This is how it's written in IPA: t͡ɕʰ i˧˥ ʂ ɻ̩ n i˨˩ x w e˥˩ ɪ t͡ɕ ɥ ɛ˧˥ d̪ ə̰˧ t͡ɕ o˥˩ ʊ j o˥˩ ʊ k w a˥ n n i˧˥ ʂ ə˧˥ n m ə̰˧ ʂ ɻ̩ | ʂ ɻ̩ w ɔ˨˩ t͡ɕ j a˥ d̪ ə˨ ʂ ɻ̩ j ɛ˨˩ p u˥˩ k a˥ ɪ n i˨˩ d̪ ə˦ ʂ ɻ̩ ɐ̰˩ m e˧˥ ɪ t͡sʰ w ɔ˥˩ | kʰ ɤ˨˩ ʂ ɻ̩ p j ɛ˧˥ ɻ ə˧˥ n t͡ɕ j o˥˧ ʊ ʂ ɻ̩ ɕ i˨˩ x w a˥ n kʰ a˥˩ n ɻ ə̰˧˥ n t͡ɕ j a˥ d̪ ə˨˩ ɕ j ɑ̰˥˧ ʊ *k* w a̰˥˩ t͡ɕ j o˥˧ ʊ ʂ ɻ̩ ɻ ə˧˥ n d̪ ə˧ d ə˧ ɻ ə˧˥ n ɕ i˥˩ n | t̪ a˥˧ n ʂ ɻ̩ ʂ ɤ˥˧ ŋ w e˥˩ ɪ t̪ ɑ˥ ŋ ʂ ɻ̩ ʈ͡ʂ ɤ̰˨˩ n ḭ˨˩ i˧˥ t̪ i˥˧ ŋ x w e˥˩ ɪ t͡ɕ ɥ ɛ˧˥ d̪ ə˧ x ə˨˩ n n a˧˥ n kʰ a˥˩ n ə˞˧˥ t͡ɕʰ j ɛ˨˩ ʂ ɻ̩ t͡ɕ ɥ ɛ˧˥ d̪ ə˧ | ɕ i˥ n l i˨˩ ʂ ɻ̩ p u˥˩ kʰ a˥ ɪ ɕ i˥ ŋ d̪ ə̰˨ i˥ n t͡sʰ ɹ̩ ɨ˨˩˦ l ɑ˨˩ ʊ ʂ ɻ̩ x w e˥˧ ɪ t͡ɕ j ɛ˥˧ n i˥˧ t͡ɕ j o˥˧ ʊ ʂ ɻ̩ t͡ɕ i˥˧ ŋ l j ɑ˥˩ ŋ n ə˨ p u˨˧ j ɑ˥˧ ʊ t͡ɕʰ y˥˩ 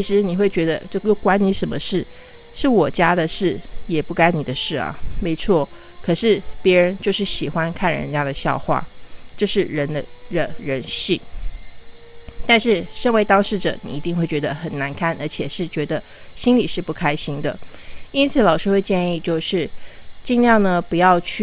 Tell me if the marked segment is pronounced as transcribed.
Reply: no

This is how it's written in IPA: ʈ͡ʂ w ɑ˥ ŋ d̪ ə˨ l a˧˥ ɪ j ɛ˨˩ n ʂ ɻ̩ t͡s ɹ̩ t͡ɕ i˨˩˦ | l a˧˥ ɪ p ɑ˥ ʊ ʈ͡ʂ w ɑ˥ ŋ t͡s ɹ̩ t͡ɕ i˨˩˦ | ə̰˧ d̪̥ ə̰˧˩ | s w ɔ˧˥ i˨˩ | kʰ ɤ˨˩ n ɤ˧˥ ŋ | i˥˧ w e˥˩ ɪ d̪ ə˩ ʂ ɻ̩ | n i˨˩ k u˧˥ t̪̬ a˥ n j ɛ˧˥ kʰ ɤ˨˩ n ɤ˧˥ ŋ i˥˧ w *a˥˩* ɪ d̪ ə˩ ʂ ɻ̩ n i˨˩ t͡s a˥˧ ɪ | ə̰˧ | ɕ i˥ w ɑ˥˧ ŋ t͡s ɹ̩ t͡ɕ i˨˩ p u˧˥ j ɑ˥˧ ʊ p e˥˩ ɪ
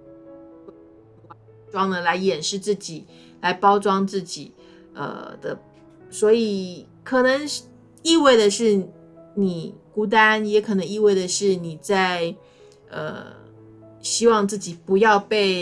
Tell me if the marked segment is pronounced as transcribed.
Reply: no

